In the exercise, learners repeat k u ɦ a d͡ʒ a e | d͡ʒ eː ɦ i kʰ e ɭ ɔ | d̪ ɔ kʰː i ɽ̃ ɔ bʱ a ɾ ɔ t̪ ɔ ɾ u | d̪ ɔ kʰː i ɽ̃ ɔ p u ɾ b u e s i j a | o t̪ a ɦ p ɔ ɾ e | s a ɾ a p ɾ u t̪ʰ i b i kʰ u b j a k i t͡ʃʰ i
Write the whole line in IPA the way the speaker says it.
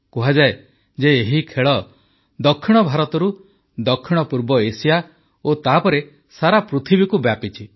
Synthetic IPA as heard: k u ɦ a d͡ʒ a e | d͡ʒ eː ɦ i kʰ e ɭ ɔ | d̪ ɔ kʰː i ɽ̃ ɔ bʱ a ɾ ɔ t̪ ɔ ɾ u | d̪ ɔ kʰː i ɽ̃ ɔ p u ɾ b ɔ e s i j a | o t̪ a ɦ p ɔ ɾ e | s a ɾ a p ɾ u t̪ʰ i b i k u b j a p i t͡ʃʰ i